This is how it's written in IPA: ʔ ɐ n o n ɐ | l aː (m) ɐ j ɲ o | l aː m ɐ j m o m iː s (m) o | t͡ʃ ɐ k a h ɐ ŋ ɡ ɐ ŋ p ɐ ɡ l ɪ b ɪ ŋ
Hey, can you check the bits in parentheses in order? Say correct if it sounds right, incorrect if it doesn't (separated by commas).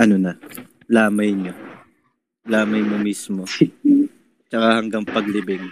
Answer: correct, correct